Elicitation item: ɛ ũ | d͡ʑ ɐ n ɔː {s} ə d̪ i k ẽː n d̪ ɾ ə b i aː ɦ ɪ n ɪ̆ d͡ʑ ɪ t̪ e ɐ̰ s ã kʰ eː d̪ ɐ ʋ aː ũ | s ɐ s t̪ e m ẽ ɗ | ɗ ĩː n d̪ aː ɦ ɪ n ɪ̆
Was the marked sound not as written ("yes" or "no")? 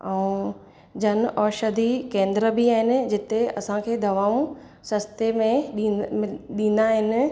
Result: yes